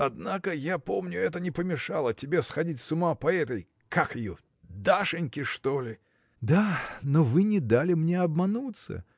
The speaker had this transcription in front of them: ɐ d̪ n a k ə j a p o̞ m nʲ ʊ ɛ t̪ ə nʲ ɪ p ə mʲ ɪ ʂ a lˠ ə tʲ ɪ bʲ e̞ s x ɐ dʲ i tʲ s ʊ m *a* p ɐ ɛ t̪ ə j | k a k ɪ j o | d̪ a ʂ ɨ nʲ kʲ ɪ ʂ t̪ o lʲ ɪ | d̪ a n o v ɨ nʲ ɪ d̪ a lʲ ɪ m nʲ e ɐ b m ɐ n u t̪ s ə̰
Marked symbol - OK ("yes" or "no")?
yes